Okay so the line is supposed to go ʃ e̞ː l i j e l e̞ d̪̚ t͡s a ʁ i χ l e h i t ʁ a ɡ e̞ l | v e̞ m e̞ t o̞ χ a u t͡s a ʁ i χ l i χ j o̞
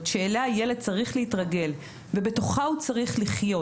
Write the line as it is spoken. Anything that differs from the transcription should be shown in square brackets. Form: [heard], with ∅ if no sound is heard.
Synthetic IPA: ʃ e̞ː l [a] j e l e̞ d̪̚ t͡s a ʁ i χ l e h i t ʁ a ɡ e̞ l | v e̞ [b] e̞ t o̞ χ a u t͡s a ʁ i χ l i χ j o̞